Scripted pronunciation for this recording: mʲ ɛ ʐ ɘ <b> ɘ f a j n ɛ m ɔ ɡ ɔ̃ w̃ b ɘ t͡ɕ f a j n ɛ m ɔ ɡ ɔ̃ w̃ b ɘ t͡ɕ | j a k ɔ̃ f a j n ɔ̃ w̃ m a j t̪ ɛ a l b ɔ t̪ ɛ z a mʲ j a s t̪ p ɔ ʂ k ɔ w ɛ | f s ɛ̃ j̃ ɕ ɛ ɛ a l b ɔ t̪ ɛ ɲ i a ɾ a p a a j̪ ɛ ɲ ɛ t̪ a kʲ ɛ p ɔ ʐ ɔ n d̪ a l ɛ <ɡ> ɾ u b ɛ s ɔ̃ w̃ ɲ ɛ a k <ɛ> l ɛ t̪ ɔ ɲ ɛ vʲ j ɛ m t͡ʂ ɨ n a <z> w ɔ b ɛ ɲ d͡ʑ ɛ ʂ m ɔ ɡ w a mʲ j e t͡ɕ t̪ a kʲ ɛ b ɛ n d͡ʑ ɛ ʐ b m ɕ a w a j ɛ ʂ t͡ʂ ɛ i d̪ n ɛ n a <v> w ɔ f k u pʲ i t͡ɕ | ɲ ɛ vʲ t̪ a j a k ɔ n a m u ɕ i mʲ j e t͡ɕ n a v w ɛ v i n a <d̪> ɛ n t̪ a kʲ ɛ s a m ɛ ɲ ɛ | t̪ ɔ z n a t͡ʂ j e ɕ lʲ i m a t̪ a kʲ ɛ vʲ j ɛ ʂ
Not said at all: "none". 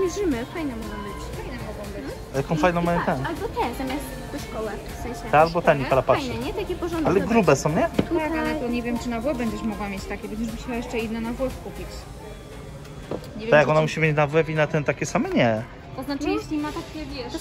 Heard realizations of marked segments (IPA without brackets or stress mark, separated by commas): m, ɡ, a, v, v, t̪